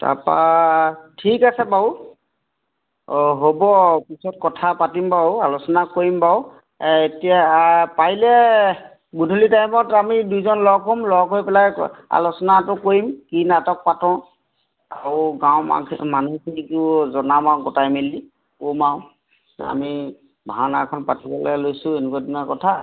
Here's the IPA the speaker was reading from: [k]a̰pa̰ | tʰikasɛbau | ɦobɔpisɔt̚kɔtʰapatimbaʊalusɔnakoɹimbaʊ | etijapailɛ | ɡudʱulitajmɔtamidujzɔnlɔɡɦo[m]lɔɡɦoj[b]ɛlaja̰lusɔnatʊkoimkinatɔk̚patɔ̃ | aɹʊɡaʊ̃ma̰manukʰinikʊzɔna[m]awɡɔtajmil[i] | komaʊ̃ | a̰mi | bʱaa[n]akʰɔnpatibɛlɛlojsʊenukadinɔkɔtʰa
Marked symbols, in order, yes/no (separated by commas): no, yes, no, yes, yes, yes